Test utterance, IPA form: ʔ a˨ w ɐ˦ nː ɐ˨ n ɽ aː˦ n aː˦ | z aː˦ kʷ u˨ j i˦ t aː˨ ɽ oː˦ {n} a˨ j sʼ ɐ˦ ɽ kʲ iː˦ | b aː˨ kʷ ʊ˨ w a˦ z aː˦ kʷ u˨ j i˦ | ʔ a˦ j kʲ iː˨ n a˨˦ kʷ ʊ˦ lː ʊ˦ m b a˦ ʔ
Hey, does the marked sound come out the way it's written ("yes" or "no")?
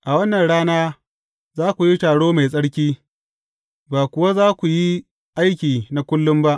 no